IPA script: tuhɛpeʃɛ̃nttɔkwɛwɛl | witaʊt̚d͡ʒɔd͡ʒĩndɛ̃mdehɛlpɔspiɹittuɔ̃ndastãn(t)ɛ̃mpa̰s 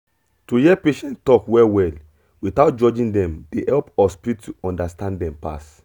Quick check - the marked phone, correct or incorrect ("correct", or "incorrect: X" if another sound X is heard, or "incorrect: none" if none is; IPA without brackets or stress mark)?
incorrect: d